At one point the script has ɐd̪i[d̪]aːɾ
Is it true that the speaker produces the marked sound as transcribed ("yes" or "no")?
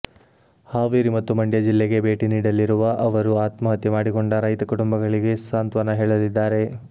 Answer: no